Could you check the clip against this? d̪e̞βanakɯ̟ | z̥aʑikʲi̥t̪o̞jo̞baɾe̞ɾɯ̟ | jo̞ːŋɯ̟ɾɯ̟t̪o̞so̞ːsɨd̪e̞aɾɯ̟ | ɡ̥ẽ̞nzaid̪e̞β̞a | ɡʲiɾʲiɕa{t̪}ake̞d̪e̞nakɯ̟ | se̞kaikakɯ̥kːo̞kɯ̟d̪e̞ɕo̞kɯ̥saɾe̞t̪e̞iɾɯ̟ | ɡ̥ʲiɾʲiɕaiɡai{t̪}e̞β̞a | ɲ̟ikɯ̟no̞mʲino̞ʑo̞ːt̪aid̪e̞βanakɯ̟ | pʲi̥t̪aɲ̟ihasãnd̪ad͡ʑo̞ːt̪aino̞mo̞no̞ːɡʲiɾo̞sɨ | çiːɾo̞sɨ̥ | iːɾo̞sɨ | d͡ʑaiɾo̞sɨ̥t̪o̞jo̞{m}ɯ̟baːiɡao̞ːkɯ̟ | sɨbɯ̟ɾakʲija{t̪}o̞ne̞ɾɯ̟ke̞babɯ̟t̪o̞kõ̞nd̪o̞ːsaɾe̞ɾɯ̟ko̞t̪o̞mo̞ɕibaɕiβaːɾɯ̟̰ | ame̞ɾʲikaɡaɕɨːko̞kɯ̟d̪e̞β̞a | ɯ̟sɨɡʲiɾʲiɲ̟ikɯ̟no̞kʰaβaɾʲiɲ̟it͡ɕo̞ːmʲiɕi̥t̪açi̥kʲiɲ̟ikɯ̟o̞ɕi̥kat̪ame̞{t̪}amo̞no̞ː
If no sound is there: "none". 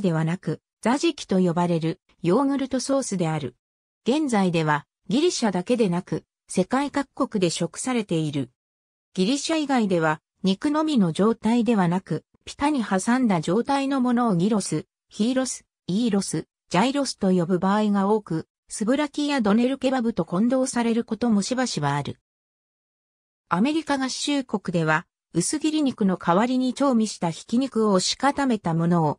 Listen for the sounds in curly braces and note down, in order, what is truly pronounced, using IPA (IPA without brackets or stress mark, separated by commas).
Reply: d̪, d̪, b, d̪, t̪